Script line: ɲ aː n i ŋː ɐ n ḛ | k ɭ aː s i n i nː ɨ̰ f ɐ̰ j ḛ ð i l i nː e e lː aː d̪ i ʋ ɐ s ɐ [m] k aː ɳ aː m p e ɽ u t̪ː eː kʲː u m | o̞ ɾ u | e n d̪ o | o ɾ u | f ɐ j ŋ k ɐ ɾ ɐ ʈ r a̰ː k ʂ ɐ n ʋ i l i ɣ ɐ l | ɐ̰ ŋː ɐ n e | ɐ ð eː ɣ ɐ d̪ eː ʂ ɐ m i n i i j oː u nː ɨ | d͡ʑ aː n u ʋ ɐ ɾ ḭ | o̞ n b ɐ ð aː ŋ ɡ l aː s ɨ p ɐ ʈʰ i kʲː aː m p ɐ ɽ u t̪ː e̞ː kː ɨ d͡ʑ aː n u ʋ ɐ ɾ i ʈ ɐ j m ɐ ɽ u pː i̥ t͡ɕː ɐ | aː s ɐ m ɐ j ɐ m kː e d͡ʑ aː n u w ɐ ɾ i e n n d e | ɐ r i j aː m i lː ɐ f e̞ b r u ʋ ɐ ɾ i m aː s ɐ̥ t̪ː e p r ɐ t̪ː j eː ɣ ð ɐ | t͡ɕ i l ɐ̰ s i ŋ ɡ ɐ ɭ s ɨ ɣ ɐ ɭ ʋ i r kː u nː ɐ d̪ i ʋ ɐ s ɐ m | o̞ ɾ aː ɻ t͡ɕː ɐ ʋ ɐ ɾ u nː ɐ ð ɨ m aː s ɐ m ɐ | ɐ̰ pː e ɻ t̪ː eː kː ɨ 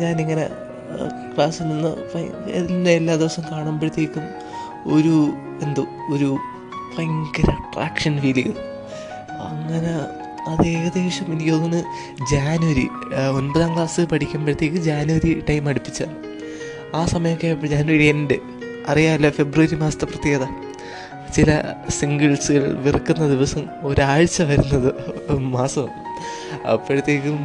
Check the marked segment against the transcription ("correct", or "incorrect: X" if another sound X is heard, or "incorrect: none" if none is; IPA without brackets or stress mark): correct